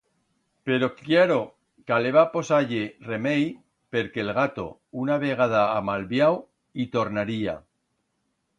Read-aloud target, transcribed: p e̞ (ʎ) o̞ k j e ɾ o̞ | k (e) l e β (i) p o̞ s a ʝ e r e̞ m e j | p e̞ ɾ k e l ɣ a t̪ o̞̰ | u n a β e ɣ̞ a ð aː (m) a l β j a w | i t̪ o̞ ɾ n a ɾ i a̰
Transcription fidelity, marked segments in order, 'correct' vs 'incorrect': incorrect: ɾ, incorrect: a, incorrect: a, correct

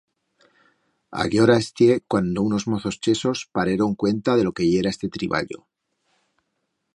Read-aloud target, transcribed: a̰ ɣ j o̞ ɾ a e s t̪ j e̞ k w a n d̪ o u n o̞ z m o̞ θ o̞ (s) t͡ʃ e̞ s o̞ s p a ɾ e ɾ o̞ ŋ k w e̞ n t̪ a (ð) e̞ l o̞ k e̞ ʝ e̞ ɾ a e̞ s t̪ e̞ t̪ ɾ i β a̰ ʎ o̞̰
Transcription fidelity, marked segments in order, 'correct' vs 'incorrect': correct, correct

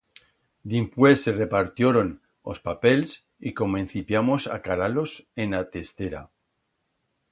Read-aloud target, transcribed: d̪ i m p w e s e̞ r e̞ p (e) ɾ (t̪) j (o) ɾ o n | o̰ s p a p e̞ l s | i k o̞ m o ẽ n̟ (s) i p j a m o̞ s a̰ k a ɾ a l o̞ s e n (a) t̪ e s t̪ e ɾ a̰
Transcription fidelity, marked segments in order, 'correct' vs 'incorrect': incorrect: a, correct, correct, incorrect: θ, correct

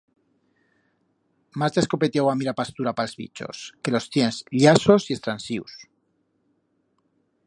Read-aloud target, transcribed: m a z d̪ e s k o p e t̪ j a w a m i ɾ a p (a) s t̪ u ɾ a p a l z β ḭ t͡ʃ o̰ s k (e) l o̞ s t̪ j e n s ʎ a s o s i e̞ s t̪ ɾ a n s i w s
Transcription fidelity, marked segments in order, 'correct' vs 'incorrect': correct, correct

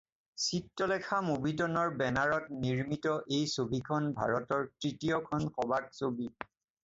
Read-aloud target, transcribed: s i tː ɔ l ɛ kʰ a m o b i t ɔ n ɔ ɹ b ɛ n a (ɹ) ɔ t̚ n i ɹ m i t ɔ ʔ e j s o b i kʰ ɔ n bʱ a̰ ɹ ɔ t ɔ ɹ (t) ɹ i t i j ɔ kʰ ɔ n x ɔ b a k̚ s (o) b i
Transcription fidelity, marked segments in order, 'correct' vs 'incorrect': correct, correct, correct

